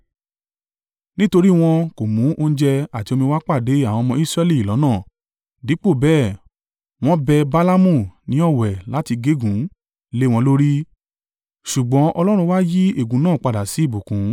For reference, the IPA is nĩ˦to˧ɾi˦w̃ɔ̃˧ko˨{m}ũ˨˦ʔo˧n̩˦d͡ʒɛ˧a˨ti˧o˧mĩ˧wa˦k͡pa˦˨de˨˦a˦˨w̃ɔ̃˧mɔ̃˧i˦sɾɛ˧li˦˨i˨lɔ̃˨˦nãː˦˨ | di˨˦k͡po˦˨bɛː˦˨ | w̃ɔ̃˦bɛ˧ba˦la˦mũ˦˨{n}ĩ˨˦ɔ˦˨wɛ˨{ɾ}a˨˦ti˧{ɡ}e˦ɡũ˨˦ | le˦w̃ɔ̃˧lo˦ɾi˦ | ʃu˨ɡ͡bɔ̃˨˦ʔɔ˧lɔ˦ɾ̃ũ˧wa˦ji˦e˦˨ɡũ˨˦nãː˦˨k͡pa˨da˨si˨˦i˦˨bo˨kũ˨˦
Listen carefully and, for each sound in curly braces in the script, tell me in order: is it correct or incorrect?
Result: correct, correct, incorrect: l, correct

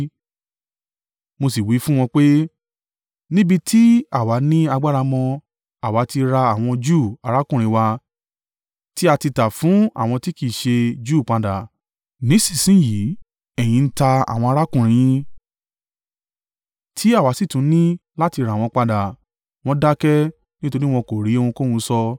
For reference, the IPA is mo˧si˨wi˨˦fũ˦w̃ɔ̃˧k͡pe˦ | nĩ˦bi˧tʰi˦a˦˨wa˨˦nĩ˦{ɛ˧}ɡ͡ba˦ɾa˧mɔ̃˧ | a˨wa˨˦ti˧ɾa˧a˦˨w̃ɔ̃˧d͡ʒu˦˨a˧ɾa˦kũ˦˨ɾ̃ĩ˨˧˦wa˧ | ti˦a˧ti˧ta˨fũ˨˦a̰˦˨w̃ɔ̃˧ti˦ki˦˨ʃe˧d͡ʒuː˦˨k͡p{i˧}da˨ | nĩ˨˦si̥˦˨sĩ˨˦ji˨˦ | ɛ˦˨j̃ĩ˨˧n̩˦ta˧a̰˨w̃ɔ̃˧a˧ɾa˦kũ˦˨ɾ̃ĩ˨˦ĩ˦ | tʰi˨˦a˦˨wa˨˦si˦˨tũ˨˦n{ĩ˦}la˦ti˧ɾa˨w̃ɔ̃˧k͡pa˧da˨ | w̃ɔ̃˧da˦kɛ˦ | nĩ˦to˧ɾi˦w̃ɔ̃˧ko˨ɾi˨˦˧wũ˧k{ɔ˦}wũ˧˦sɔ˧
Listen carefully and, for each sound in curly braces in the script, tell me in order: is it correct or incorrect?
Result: incorrect: a˧, incorrect: a˧, correct, incorrect: o˦

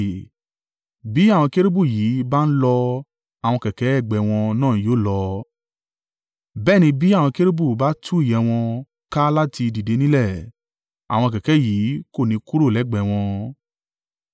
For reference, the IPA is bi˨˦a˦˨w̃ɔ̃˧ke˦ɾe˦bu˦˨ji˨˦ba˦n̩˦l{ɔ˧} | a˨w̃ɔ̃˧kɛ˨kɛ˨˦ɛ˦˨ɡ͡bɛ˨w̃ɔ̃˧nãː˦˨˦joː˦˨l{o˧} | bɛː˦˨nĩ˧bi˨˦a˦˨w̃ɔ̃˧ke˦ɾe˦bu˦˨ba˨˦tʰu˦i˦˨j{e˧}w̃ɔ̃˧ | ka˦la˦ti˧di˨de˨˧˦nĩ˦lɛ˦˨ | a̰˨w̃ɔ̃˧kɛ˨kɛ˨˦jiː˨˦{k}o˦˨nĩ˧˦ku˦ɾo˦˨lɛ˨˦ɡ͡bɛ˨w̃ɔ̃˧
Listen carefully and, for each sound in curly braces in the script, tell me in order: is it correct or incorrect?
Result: correct, incorrect: ɔ˧, incorrect: ɛ˧, correct

